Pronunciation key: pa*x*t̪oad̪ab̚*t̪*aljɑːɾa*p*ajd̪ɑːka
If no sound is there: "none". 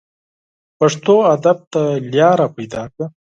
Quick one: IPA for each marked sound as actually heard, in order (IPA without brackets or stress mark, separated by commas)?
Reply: ʂ, t̪, p